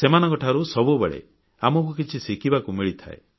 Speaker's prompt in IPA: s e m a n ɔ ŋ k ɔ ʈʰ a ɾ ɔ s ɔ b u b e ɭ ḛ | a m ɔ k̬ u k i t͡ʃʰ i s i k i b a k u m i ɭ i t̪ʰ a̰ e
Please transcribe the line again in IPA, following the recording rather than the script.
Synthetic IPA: s e m a n ɔ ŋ k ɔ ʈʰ a ɾ u s ɔ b u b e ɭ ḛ | a m ɔ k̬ u k i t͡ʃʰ i s i k i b a k u m i ɭ i t̪ʰ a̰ e